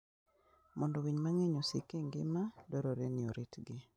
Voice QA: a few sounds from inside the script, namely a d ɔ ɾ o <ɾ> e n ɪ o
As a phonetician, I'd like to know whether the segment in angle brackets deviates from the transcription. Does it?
no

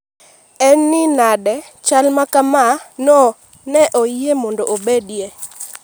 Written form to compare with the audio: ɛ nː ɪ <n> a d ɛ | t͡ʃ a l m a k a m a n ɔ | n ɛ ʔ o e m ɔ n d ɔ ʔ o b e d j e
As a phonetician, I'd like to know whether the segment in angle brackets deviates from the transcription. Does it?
no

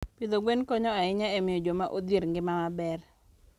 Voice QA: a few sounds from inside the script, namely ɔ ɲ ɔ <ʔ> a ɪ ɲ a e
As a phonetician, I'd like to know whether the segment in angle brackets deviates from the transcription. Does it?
yes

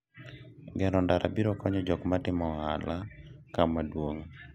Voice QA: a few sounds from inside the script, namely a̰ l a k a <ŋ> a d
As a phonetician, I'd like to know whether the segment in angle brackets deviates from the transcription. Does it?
yes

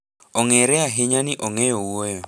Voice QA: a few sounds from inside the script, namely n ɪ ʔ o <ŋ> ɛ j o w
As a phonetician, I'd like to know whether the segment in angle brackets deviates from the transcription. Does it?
no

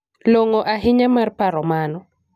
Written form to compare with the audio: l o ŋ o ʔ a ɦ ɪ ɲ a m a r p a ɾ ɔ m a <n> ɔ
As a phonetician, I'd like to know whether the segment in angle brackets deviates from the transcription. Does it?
no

